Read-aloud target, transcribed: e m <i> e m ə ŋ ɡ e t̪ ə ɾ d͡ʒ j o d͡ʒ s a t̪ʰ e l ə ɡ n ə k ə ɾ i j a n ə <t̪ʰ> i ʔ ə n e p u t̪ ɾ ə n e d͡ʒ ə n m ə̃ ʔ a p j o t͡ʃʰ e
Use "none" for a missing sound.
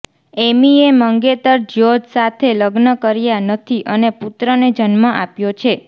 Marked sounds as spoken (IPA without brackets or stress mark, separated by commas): i, t̪ʰ